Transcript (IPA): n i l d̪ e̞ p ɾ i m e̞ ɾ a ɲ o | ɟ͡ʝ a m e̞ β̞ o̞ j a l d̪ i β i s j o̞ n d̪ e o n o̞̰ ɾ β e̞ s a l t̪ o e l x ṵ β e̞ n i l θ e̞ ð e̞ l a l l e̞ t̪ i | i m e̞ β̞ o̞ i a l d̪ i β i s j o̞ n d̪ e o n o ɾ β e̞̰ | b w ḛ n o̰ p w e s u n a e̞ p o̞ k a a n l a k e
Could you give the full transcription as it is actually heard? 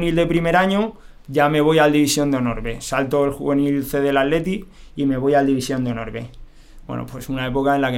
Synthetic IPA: n i l d̪ e̞ p ɾ i m e̞ ɾ a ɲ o | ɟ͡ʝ a m e̞ β̞ o̞ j a l d̪ i β i s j o̞ n d̪ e o n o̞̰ ɾ β e̞ s a l t̪ o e l x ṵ β e̞ n i l θ e̞ ð e̞ l a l l e̞ t̪ i | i m e̞ β̞ o̞ j a l d̪ i β i s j o̞ n d̪ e o n o ɾ β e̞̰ | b w ḛ n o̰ p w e s u n a e̞ p o̞ k a e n l a k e